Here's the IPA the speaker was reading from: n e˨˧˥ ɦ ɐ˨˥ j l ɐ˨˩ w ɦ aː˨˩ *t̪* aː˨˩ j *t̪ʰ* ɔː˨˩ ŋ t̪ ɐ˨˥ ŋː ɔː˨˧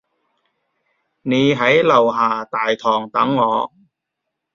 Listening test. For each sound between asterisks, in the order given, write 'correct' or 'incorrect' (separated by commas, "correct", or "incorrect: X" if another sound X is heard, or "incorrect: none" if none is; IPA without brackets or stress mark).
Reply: correct, correct